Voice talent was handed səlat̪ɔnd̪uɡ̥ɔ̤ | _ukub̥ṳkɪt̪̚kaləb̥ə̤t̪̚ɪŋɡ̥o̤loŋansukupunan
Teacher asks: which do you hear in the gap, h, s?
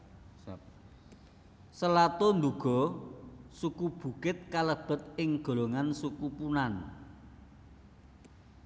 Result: s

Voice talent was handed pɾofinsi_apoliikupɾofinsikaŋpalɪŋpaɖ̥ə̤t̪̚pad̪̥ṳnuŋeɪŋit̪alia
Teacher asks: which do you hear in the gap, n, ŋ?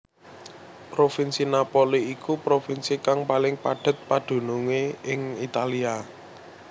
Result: n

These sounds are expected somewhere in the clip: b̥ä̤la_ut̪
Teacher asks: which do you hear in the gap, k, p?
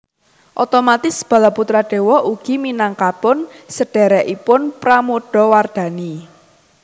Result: p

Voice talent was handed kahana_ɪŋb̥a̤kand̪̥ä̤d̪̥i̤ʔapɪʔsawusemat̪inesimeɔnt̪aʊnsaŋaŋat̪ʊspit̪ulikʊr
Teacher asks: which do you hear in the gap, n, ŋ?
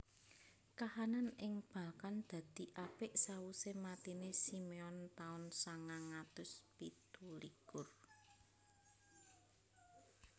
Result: n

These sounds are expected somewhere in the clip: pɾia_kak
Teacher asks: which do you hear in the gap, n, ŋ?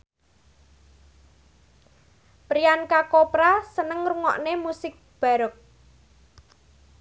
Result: n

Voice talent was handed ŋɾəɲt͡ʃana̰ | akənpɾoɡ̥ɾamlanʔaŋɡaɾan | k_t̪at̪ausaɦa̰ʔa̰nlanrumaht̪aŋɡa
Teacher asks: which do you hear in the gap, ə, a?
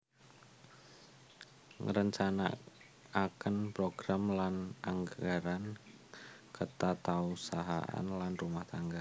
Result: ə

